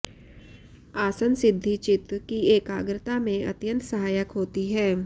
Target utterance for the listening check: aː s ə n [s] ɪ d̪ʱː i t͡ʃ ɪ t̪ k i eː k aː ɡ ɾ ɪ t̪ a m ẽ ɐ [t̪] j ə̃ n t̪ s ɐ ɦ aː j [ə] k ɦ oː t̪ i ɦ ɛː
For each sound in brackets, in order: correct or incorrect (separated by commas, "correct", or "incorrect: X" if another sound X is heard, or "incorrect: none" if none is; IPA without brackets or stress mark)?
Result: correct, correct, correct